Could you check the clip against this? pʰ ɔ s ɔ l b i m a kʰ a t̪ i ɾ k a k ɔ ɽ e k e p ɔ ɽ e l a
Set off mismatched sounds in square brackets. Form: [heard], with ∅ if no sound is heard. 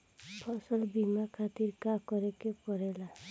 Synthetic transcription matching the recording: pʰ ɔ s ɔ l b i m a kʰ a t̪ i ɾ k a k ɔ [ɾ] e k e p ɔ [ɾ] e l a